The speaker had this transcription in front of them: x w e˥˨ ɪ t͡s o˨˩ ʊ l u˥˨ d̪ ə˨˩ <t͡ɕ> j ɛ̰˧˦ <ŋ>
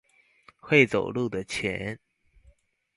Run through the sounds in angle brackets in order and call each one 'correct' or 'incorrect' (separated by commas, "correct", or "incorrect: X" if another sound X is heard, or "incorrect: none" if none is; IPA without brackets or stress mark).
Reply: incorrect: t͡ɕʰ, incorrect: n